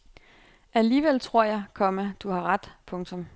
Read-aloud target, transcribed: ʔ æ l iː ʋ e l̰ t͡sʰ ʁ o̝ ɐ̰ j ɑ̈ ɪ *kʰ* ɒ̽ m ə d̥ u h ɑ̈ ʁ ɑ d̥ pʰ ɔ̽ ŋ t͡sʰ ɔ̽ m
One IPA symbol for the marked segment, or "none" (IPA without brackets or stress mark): kʰ